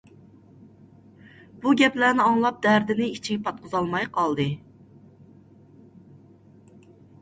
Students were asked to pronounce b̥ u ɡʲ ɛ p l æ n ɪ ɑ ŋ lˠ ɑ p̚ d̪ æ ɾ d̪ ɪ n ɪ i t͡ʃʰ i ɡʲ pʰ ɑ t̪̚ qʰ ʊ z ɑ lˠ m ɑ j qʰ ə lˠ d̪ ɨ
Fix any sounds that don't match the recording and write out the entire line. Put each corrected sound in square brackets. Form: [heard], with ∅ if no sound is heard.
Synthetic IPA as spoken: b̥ u ɡʲ ɛ p l æ n ɪ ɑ ŋ lˠ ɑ p̚ d̪ æ ɾ d̪ ɪ n ɪ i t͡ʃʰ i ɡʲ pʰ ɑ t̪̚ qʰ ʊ z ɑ lˠ m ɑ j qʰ [ɑ] lˠ d̪ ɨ